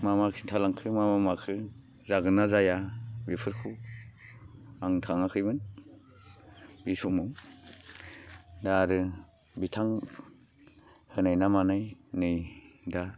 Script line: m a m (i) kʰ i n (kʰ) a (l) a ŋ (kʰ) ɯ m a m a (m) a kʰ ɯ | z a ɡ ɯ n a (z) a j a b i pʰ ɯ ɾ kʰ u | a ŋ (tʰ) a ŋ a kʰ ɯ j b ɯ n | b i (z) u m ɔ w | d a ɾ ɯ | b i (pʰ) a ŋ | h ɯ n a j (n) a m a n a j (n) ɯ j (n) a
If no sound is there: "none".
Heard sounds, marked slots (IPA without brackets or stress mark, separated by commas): a, tʰ, l, kʰ, m, z, tʰ, s, tʰ, n, n, d